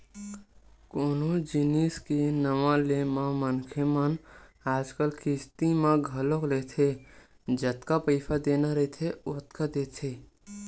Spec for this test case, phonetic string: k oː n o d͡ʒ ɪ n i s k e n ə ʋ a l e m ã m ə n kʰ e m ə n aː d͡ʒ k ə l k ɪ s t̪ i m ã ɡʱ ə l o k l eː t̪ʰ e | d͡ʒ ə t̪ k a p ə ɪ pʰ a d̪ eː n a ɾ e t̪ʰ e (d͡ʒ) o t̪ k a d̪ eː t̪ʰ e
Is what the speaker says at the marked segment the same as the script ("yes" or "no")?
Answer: no